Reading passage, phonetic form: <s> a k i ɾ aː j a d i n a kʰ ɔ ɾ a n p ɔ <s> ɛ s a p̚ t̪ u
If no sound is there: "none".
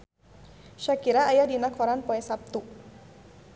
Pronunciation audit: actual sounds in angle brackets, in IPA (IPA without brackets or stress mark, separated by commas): ʃ, none